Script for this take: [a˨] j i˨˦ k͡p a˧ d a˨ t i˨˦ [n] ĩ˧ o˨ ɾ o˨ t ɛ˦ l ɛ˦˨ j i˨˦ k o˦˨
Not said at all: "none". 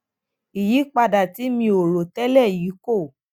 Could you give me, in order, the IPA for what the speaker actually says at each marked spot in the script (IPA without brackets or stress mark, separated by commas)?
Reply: i˨, m